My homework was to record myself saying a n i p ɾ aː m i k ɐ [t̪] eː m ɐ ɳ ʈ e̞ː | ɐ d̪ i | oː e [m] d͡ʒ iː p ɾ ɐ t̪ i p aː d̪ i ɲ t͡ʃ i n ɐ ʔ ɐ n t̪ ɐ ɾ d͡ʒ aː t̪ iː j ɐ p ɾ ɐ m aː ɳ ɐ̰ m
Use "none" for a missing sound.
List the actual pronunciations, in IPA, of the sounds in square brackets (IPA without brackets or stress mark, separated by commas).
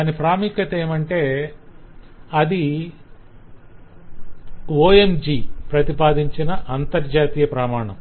t̪, m